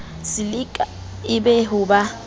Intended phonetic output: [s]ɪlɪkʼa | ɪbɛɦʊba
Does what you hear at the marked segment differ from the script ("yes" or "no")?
no